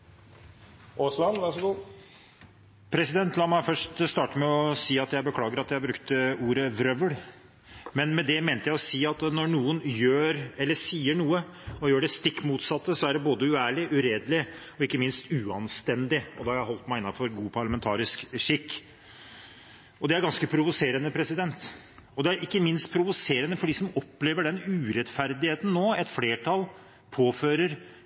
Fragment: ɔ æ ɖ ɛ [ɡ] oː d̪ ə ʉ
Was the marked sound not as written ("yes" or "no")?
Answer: yes